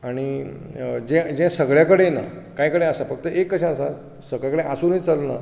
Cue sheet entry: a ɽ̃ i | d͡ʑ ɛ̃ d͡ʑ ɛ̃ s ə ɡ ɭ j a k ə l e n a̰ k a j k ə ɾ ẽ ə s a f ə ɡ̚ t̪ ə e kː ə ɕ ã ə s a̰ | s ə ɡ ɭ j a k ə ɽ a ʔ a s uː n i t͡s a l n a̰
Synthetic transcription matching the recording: a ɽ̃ i | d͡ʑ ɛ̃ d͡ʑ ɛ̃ s ə ɡ ɭ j a k ə ɽ e n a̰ k a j k ə ɽ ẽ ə s a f ə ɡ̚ t̪ ə e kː ə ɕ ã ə s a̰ | s ə ɡ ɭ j a k ə ɽ e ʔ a s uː n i t͡s a l n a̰